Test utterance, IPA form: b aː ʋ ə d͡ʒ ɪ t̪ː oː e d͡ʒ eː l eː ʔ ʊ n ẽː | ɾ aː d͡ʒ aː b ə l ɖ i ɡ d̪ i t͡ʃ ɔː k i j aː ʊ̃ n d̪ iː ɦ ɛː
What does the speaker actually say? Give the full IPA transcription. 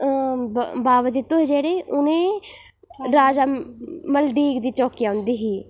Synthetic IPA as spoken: b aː ʋ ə d͡ʒ ɪ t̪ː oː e d͡ʒ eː ɽ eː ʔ ʊ n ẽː | ɾ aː d͡ʒ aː m ə l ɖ iː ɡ d̪ iː t͡ʃ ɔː k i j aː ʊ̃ n d̪ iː ɦ iː